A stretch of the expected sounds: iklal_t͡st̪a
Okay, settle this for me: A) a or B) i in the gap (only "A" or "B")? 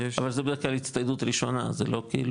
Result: B